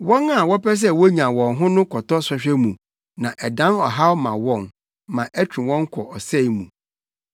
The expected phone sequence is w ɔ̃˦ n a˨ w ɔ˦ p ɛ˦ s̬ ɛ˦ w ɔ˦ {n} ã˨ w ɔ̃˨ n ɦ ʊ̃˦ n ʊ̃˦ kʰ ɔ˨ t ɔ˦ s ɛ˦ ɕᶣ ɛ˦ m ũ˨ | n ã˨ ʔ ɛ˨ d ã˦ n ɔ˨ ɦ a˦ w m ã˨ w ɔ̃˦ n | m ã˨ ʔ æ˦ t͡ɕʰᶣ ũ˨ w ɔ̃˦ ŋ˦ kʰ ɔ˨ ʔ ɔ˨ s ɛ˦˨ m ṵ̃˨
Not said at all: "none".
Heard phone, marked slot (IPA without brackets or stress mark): ɲ